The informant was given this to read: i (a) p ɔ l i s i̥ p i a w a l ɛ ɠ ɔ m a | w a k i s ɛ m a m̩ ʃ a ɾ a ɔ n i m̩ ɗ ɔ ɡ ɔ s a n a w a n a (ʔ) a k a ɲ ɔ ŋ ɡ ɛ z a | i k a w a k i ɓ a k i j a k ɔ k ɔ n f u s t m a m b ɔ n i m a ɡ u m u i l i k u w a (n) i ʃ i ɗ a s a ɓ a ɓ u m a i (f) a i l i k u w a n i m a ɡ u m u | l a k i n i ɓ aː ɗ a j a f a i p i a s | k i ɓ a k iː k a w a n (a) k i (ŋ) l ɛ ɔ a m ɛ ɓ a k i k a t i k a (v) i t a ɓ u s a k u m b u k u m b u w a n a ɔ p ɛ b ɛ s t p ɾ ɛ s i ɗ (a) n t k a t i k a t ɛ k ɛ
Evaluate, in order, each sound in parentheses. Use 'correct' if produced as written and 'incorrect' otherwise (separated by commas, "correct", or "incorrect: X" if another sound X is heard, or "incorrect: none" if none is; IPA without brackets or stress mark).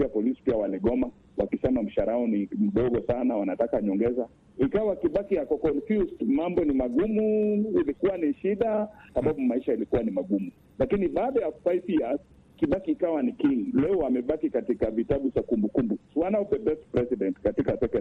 correct, incorrect: t, correct, incorrect: ʃ, incorrect: i, correct, correct, incorrect: ɛ